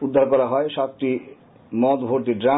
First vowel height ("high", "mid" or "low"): high